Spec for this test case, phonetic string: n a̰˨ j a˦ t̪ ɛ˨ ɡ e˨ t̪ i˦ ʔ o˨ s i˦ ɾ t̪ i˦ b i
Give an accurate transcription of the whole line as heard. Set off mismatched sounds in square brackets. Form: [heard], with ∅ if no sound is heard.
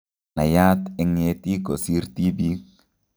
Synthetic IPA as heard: n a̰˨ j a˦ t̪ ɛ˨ [ŋ] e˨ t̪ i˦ [k] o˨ s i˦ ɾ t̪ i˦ b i